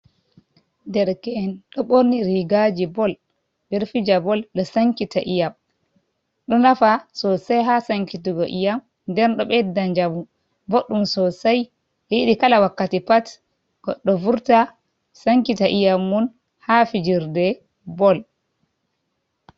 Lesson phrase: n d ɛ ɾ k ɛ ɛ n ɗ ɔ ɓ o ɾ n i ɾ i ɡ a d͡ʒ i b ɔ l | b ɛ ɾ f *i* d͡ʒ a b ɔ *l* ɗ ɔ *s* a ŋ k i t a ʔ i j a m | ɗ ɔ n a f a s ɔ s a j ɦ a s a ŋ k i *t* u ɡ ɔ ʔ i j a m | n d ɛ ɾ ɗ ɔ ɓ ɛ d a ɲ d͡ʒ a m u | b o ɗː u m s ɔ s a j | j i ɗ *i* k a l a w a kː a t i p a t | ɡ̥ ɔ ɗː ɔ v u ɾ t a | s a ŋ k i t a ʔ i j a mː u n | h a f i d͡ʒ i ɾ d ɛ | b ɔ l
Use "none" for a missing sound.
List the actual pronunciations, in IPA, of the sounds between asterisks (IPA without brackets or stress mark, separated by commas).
i, l, s, t, i